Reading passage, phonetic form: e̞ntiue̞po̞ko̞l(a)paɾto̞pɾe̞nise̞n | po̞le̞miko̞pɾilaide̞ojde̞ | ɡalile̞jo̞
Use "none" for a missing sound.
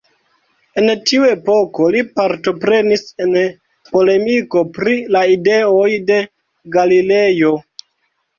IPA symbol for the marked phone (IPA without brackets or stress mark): i